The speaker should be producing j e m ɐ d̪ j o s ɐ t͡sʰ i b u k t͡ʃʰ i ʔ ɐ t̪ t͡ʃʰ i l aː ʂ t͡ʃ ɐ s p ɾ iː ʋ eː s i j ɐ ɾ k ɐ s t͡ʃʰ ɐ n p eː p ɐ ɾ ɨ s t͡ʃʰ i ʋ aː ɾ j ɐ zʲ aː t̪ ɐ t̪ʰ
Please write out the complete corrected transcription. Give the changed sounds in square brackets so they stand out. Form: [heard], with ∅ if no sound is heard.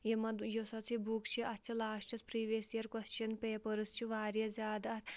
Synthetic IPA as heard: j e m ɐ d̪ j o s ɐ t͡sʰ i b u k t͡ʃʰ i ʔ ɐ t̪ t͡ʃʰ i l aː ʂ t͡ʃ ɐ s p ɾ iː ʋ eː s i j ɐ ɾ k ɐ s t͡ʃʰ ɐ n p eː p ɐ ɾ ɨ s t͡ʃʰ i ʋ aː ɾ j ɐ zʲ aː [d̪] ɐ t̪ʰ